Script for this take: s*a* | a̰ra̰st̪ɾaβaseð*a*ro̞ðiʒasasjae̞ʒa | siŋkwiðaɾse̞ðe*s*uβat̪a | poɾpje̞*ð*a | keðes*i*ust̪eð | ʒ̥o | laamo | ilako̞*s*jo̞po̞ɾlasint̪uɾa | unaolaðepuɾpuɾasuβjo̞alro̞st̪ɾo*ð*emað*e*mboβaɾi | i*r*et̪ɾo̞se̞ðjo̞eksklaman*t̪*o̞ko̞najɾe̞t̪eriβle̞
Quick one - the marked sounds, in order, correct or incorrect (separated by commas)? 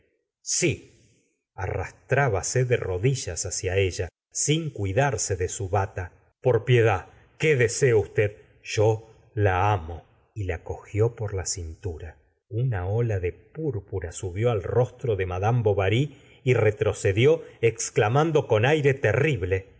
incorrect, incorrect, correct, correct, incorrect, incorrect, correct, incorrect, correct, incorrect